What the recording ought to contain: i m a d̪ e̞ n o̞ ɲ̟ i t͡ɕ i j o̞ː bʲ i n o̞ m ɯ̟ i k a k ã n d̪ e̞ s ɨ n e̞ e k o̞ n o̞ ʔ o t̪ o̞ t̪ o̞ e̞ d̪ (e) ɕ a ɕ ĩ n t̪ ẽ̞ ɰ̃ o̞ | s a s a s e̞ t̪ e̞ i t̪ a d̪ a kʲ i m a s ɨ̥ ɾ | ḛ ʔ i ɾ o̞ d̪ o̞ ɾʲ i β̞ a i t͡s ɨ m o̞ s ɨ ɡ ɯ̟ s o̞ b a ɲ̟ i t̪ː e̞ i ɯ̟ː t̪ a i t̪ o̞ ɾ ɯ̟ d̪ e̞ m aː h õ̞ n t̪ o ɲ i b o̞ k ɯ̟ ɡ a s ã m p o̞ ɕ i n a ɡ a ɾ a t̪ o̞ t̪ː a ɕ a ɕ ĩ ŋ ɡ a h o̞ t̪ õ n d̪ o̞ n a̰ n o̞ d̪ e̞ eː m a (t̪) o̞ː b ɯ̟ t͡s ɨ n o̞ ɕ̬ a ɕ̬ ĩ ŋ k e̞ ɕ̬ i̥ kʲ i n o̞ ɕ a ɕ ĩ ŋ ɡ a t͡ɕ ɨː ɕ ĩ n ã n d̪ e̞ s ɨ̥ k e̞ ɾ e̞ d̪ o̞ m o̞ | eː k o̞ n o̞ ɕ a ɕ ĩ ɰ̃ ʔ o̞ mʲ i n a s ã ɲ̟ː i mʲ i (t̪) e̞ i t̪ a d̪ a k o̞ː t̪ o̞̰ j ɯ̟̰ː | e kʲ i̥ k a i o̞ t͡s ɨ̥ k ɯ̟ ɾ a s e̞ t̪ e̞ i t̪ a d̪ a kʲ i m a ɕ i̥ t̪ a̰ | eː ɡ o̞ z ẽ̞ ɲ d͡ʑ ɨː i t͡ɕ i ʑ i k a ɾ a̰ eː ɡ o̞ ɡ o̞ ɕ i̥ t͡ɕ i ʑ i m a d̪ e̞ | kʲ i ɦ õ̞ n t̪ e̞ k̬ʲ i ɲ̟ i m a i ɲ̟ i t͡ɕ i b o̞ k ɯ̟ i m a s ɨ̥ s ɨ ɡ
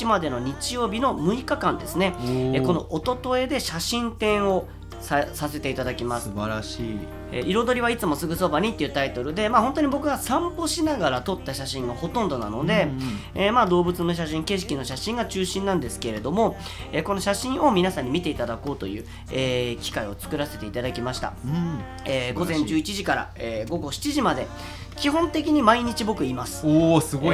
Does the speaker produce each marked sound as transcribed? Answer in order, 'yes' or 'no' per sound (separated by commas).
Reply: yes, no, yes